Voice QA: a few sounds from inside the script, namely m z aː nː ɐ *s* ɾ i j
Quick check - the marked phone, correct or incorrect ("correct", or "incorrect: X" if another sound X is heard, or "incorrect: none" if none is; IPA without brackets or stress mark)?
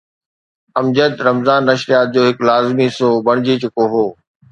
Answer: incorrect: ʃ